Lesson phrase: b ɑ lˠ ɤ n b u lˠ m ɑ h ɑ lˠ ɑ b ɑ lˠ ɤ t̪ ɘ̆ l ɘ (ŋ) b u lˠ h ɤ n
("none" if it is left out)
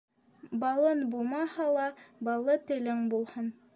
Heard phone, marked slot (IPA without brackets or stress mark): ŋ